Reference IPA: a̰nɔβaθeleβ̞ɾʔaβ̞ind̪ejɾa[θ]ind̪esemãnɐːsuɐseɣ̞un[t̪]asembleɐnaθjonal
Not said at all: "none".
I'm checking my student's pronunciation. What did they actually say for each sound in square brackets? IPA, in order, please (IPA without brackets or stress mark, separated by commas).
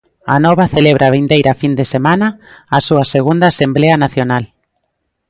f, d̪